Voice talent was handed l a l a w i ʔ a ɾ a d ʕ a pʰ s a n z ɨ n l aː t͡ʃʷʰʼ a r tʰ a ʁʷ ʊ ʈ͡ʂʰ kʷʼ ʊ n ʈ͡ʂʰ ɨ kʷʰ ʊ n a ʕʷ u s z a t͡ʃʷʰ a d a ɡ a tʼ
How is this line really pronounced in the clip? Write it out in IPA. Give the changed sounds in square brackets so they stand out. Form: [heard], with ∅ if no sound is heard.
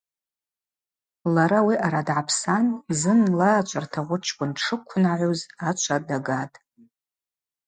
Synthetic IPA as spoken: l a [ɾ] a w i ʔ a ɾ a d ʕ a pʰ s a n z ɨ n l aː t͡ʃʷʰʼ a r tʰ a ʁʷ ʊ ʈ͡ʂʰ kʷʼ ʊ n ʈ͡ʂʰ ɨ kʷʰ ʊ n a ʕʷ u [∅] z a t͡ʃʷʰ a d a ɡ a tʼ